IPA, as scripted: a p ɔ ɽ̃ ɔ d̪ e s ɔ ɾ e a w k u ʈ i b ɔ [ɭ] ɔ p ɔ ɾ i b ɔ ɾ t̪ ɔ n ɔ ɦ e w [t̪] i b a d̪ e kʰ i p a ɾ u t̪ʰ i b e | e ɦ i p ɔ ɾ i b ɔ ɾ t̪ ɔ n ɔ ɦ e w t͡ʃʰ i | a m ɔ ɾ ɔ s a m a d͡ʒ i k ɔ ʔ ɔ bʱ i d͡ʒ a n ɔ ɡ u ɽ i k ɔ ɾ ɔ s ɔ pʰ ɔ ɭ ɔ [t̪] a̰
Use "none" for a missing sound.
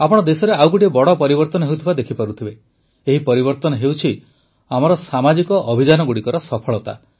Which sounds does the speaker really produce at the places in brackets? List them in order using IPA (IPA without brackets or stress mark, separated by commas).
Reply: ɽ, t̪ʰ, t̪